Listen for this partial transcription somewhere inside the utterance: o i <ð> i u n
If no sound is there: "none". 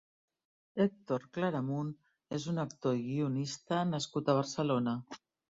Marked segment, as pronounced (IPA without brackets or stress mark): ɣ